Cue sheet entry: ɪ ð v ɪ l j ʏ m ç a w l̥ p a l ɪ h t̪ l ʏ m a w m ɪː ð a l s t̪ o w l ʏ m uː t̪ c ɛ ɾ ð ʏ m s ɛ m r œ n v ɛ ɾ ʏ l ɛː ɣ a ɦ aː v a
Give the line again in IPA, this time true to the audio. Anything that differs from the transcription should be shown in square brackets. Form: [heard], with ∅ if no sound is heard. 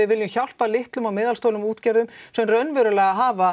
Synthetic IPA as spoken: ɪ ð v ɪ l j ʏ m ç a w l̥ p a l ɪ h t̪ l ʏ m a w m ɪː ð a l s t̪ o w l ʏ m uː t̪ c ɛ ɾ ð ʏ m s ɛ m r œ n v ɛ ɾ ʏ l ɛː ɣ a ɦ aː v a